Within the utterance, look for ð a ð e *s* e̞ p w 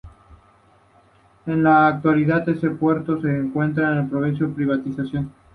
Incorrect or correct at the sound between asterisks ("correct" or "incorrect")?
correct